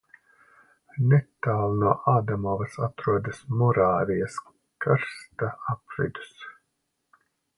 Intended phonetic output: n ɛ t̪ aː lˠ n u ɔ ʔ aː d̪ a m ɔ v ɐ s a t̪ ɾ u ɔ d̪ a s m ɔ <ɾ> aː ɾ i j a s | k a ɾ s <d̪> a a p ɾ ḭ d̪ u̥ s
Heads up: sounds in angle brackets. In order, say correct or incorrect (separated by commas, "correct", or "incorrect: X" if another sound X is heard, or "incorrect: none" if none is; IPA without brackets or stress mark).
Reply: correct, incorrect: t̪